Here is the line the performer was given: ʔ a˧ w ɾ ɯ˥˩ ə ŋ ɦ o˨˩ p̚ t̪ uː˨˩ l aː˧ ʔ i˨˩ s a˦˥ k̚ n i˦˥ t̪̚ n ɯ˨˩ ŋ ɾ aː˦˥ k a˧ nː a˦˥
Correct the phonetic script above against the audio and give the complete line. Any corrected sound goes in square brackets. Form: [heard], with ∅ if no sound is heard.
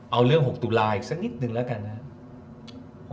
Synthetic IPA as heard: ʔ a˧ w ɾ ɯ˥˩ ə ŋ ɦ o˨˩ [k̚] t̪ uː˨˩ l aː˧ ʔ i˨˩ s a˦˥ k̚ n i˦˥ t̪̚ n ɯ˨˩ ŋ [l] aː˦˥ k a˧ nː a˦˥